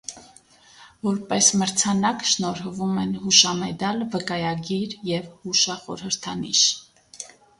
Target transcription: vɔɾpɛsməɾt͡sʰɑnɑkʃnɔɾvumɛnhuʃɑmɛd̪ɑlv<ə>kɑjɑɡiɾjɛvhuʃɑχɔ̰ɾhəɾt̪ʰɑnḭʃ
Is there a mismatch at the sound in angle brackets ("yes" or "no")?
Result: no